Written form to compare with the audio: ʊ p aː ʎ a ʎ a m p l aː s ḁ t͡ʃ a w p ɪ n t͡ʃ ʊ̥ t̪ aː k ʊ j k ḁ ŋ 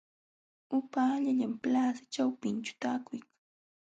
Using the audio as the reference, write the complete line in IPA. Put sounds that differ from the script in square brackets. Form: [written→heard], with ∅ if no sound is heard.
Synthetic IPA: ʊ p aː ʎ a ʎ a m p l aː s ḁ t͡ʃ a w p ɪ n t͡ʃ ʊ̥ t̪ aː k ʊ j k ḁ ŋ